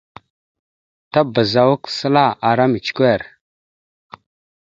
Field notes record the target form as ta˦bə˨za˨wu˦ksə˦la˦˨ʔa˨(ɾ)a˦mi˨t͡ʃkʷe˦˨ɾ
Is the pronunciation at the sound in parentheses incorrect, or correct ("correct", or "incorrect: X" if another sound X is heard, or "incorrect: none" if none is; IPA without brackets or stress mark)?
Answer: correct